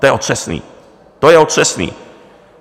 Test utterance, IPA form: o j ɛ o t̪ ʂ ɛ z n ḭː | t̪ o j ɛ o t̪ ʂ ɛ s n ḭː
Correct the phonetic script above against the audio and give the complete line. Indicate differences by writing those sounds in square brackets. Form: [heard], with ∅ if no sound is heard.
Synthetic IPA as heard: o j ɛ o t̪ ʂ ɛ [s] n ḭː | t̪ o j ɛ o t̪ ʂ ɛ s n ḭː